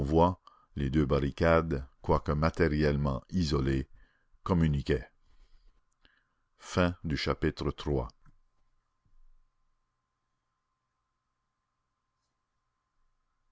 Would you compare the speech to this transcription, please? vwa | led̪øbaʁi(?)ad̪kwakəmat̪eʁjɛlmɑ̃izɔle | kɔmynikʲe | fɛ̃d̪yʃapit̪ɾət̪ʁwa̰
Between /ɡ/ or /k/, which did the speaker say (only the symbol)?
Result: k